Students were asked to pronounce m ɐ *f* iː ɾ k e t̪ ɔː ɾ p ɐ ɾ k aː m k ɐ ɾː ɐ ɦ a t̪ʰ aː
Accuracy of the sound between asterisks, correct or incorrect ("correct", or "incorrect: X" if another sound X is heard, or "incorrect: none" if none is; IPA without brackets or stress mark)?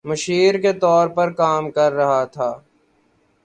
incorrect: ʃ